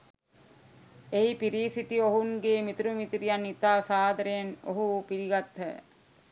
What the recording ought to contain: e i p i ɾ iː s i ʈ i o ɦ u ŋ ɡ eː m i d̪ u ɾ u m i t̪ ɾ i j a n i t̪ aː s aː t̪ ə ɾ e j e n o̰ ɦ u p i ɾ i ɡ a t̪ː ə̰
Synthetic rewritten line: e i p i ɾ iː s i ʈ i o ɦ u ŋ ɡ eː m i t̪ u ɾ u m i t̪ ɾ i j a n i t̪ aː s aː d̪ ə ɾ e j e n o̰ ɦ u p i ɾ i ɡ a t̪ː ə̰